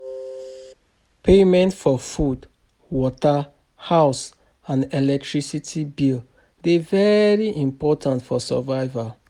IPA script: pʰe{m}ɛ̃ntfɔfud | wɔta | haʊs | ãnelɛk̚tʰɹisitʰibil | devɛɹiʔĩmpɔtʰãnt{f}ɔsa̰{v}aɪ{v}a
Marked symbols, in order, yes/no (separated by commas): yes, yes, yes, yes